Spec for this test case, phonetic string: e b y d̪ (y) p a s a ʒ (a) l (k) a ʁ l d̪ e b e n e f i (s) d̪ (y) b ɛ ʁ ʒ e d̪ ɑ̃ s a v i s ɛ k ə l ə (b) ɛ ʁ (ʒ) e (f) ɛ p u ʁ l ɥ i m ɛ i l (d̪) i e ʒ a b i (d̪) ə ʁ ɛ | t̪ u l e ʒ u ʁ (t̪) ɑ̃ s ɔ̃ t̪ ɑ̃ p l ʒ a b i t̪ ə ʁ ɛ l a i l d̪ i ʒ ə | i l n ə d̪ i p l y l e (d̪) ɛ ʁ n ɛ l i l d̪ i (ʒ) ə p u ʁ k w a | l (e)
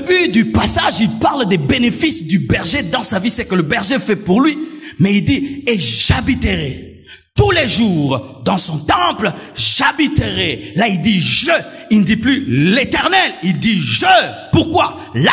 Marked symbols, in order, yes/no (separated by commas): yes, no, no, yes, yes, yes, yes, yes, yes, no, no, no, yes, no